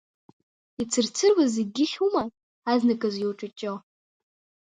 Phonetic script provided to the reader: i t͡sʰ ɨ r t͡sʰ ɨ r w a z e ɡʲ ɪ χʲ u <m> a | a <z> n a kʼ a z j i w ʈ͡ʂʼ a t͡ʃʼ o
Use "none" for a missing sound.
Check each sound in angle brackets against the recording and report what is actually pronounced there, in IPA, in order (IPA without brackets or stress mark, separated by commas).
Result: m, z